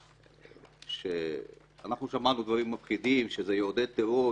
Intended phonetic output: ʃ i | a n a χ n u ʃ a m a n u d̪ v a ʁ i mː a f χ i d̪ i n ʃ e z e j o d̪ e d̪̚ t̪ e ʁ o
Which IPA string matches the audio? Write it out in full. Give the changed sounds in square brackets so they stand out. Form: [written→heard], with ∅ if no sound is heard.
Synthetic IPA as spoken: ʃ [i→e] | a n a χ n u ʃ a m a n u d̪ v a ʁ i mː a f χ i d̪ i [n→m] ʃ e z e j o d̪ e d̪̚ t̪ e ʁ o